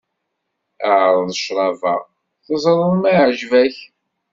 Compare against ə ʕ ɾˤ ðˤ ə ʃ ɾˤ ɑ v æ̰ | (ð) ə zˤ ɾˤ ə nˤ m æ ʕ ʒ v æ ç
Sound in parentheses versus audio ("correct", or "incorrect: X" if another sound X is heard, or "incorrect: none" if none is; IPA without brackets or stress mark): incorrect: θ